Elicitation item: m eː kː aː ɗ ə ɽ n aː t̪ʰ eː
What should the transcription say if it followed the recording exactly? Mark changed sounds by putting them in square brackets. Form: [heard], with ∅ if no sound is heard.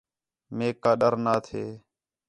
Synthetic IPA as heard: m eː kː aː ɗ ə [ɾ] n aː t̪ʰ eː